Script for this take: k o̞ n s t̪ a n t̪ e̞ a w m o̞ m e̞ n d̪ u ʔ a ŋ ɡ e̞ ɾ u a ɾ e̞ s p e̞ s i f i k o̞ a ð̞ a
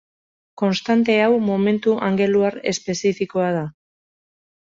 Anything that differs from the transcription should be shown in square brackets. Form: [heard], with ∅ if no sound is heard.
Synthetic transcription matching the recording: k o̞ n s t̪ a n t̪ e̞ a w m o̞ m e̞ n [t̪] u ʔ a ŋ ɡ e̞ [l] u a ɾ e̞ s p e̞ s i f i k o̞ a ð̞ a